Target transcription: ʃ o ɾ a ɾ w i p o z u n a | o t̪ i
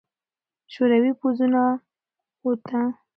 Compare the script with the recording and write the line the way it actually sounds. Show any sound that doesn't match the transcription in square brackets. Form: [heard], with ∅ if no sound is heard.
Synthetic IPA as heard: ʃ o ɾ a [∅] w i p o z u n a | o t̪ [a]